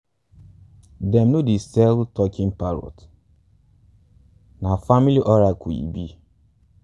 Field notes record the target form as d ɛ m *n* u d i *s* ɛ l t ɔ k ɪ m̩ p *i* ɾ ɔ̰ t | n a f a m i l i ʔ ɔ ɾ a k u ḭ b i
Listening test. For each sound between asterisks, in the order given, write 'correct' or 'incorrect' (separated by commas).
correct, correct, incorrect